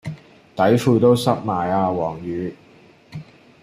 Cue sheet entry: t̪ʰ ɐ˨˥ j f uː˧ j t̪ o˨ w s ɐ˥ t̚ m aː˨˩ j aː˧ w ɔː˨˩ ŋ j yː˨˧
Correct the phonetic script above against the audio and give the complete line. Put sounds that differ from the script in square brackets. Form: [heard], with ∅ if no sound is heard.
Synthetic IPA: [t̪] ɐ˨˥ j f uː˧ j t̪ [o˥] w s ɐ˥ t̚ m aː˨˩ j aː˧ w ɔː˨˩ ŋ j yː˨˧